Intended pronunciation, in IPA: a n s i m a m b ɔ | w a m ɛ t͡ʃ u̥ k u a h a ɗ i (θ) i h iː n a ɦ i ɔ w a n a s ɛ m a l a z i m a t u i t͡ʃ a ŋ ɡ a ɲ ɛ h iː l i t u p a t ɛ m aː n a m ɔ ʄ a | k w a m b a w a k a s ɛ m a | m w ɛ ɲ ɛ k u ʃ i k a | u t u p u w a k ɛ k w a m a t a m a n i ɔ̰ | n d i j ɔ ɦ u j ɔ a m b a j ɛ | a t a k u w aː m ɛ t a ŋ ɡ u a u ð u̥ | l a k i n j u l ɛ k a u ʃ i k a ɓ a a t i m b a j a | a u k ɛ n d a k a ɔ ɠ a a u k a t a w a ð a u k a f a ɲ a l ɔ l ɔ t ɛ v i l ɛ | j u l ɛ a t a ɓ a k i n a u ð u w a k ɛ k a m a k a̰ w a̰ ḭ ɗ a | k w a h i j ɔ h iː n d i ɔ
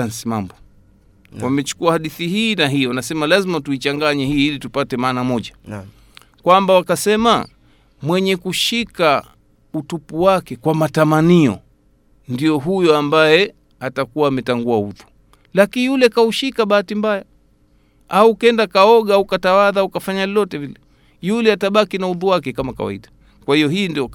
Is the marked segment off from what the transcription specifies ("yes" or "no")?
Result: no